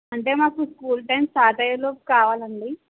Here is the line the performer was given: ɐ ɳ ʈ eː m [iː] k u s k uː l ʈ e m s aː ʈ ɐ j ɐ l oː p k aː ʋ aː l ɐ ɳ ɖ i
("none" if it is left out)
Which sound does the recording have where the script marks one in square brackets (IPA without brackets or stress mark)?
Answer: aː